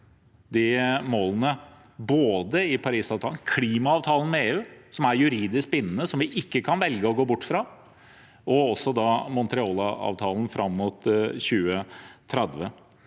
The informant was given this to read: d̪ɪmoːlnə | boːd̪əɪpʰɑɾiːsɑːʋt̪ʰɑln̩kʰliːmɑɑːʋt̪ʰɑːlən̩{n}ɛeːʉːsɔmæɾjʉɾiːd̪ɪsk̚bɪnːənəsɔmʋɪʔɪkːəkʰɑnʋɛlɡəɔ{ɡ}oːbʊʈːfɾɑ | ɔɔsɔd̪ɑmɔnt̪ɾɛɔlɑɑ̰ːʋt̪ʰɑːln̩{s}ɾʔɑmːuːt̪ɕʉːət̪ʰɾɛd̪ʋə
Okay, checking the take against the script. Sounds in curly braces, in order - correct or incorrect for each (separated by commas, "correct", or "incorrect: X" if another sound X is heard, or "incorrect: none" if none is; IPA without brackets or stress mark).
incorrect: m, correct, incorrect: f